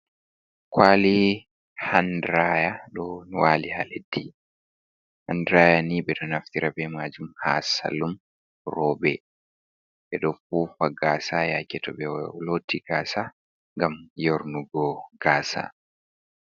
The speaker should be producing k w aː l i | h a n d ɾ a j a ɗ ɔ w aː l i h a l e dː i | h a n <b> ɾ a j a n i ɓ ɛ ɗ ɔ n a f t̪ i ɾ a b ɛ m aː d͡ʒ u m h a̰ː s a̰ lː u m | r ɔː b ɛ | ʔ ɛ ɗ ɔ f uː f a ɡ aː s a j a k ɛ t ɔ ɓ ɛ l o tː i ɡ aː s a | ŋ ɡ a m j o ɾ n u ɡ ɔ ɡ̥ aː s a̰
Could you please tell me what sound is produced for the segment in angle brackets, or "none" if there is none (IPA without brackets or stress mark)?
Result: d